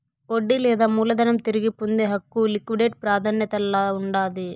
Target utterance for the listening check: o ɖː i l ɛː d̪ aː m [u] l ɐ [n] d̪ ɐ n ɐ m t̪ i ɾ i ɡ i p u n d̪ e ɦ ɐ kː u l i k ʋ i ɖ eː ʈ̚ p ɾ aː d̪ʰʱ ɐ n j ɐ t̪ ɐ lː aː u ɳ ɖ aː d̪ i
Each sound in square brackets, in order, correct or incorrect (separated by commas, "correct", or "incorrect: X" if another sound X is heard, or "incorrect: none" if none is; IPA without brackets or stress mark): incorrect: uː, incorrect: none